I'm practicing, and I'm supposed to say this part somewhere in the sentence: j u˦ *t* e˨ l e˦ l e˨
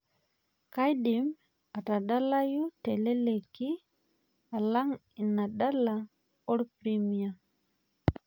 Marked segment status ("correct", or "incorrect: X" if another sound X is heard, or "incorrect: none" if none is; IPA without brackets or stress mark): correct